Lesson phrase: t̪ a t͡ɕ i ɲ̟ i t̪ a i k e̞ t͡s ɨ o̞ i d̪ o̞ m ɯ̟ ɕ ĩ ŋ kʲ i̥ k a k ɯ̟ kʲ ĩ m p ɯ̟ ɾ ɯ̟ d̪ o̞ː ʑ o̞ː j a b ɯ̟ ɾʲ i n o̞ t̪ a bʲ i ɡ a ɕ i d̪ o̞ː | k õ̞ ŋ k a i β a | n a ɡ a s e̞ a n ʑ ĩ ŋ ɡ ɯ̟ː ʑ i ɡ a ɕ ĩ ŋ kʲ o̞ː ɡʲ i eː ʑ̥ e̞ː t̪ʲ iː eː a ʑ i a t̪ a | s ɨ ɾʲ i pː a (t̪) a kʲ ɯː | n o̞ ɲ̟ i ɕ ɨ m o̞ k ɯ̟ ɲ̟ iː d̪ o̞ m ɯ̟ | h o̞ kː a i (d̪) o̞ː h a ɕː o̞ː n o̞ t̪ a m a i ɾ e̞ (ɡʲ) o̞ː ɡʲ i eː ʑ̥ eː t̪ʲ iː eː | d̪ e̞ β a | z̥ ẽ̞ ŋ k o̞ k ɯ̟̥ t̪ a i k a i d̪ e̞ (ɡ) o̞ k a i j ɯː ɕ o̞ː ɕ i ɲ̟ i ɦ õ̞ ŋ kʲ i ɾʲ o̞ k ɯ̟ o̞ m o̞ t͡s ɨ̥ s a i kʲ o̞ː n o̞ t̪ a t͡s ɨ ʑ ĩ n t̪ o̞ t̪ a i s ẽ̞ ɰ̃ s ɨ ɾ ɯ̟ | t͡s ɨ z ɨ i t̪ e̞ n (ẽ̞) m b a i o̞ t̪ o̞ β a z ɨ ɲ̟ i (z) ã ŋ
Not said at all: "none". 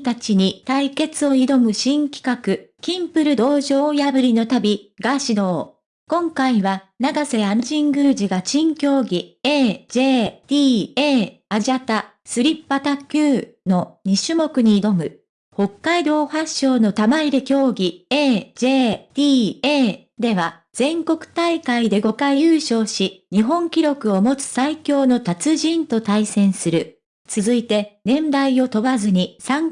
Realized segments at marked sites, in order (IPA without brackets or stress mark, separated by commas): t̪, d̪, kʲ, ɡ, ẽ̞, s